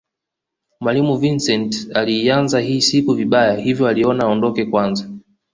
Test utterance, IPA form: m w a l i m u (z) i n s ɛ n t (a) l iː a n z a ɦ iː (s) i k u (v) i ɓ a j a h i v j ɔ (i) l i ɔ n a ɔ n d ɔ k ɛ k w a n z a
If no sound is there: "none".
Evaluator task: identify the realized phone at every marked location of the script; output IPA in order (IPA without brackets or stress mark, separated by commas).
v, a, s, v, a